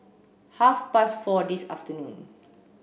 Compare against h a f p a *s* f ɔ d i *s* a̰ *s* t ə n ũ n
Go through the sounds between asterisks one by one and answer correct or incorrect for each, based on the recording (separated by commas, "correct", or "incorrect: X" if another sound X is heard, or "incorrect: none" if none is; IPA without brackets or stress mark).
correct, correct, incorrect: f